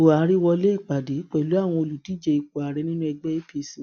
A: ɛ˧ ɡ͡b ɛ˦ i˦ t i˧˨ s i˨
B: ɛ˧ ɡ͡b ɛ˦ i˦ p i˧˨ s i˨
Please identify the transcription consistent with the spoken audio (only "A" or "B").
B